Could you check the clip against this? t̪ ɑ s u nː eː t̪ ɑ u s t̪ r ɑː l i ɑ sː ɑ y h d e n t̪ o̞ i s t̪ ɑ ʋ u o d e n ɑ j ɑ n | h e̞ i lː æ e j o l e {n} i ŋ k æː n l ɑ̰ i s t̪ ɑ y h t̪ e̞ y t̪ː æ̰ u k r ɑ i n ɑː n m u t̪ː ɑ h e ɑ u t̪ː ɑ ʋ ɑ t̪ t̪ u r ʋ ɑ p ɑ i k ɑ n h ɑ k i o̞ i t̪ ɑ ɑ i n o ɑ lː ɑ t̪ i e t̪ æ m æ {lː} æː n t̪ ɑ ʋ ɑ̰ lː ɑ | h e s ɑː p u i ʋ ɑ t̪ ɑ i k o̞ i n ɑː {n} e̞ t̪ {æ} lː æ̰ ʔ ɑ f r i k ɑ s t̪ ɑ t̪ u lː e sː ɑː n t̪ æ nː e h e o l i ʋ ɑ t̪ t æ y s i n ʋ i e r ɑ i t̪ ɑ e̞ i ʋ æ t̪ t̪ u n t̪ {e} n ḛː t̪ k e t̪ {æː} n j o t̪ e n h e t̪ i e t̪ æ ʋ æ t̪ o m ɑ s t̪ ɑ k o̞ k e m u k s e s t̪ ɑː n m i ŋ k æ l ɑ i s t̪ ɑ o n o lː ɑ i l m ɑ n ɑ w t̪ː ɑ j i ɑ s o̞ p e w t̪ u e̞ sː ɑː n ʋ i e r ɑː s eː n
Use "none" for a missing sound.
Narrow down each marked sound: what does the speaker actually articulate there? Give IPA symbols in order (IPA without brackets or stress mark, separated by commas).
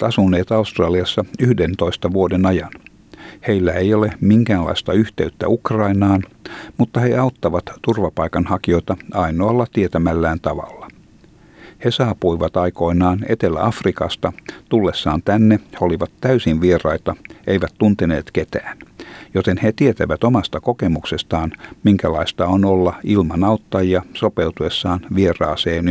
m, lː, n, e, e, æː